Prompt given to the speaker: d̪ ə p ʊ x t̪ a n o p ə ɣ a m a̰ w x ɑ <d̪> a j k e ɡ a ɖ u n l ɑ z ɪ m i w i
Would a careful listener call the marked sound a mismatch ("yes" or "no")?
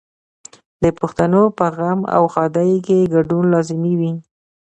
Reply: no